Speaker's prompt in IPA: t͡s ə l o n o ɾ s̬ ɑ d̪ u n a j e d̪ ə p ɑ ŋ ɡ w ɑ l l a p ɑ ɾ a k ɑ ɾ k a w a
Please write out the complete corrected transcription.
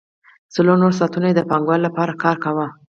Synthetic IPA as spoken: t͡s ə l o n o ɾ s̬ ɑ t̪ u n a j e d̪ ə p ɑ ŋ ɡ w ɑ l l a p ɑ ɾ a k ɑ ɾ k a w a